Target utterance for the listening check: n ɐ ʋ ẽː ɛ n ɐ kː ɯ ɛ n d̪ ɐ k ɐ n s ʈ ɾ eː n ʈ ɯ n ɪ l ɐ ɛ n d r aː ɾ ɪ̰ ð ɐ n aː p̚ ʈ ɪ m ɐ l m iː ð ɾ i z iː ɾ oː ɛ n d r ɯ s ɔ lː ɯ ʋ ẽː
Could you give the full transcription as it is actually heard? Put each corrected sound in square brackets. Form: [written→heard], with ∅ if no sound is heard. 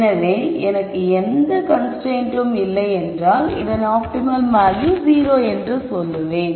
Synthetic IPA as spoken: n ɐ ʋ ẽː ɛ n ɐ kː ɯ ɛ n d̪ ɐ k ɐ n s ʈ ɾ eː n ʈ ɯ [n→m] ɪ [l→lː] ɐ ɛ n d r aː [ɾ→l] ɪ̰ ð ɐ n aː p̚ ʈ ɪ m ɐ l m [iː→aː] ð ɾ i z iː ɾ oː ɛ n d r ɯ s ɔ lː ɯ ʋ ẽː